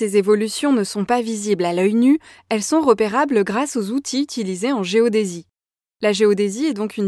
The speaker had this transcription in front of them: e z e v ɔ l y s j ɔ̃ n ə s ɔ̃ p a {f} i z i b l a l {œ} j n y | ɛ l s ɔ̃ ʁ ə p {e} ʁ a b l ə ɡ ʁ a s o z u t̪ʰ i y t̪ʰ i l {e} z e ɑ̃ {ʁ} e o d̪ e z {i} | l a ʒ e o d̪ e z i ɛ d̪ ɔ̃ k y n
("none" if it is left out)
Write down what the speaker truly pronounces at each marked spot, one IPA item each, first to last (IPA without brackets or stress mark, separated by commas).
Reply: v, œ, e, i, ʒ, i